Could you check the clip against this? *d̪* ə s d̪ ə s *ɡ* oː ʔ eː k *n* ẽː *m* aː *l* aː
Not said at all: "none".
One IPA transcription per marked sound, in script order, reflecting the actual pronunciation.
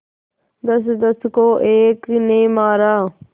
d̪, k, n, m, ɾ

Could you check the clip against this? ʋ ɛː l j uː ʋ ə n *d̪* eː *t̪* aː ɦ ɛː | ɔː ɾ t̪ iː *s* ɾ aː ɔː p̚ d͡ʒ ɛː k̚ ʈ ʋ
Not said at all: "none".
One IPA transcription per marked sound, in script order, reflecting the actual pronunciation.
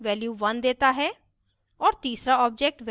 d̪, t̪, s

